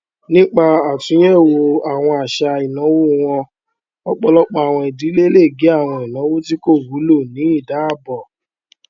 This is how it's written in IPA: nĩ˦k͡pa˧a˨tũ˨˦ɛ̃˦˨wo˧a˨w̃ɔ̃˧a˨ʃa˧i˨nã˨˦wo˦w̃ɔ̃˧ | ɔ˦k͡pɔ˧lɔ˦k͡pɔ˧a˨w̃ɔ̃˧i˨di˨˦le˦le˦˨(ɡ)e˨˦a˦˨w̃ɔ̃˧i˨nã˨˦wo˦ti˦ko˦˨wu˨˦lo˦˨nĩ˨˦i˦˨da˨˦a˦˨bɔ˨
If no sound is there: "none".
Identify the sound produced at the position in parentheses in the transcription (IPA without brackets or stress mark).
ɡ